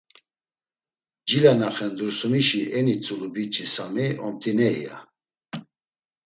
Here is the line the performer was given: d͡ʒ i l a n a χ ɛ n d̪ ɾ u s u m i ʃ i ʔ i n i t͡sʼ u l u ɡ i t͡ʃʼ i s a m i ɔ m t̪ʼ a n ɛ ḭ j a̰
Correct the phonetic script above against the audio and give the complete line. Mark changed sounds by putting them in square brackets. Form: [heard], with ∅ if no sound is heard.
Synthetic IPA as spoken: d͡ʒ i l a n a χ ɛ n d̪ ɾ u s u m i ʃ i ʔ [ɛ] n i t͡sʼ u l u [b] i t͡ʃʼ i s a m i ɔ m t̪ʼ [i] n ɛ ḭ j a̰